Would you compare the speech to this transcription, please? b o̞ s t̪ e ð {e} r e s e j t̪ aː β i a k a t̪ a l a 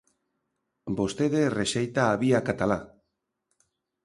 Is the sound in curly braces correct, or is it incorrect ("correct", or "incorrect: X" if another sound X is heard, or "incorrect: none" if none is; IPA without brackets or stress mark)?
correct